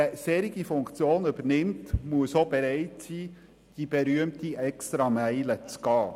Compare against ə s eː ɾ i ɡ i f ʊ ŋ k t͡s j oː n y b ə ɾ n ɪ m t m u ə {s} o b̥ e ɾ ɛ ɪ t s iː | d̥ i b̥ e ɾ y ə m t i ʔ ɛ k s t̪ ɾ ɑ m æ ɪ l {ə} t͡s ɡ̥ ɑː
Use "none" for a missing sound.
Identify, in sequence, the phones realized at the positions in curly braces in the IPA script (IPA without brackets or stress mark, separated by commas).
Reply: s, ə